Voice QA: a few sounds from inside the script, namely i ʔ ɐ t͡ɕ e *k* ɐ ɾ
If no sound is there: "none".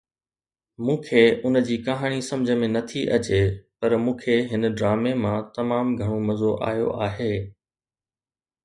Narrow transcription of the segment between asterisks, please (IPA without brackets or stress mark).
p